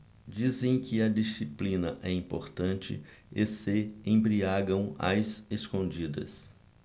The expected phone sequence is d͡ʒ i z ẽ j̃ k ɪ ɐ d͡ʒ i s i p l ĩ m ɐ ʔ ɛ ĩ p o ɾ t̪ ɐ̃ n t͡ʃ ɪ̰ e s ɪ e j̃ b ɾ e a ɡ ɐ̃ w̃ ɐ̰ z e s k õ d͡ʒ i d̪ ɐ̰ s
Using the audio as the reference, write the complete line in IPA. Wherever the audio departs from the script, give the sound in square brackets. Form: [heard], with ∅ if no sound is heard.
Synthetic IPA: d͡ʒ i z ẽ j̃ k ɪ ɐ d͡ʒ i s i p l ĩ [n] ɐ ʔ ɛ ĩ p o ɾ t̪ ɐ̃ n t͡ʃ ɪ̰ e s ɪ [ẽ] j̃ b ɾ [i] a ɡ ɐ̃ w̃ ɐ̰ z e s k õ d͡ʒ i d̪ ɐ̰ s